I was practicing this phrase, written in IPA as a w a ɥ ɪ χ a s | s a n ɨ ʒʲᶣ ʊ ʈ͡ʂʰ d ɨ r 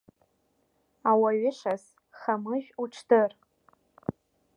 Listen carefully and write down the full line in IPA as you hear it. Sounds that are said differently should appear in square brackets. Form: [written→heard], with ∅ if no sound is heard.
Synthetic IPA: a w a ɥ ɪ [χ→ʂ] a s | [s→χ] a [n→m] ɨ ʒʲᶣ [ʊ→u] ʈ͡ʂʰ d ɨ r